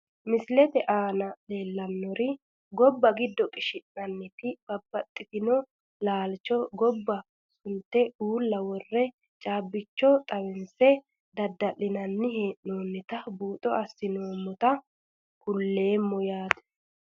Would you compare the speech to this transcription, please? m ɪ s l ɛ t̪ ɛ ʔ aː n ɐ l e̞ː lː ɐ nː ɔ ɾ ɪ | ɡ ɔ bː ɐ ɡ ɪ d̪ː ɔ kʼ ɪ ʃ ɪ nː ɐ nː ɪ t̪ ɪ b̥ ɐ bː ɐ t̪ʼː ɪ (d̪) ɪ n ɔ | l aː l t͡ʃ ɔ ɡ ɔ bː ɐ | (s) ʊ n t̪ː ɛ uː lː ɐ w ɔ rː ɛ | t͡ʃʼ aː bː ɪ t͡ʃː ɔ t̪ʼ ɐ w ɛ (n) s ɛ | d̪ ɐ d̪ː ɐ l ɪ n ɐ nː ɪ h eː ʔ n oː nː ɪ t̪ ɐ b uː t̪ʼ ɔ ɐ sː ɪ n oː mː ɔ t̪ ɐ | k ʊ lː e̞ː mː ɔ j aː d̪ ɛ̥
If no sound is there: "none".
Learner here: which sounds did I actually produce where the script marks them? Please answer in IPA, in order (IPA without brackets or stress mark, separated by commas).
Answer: t̪, s, n